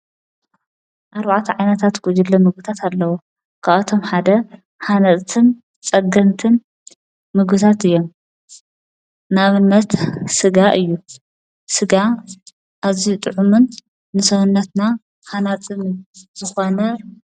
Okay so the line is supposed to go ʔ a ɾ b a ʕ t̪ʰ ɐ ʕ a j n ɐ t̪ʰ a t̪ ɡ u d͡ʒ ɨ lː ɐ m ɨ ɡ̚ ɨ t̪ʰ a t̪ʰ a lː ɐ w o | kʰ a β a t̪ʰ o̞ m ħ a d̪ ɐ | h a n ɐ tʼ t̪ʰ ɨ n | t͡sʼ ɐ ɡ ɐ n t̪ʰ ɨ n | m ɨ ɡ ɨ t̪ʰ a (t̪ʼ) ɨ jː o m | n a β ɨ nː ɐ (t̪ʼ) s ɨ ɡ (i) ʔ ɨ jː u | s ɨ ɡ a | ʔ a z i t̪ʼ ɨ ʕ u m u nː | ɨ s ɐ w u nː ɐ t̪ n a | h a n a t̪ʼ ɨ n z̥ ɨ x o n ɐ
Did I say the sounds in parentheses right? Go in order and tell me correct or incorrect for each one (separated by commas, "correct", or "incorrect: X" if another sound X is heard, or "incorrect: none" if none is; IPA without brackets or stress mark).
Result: incorrect: t̪, incorrect: t̪, incorrect: a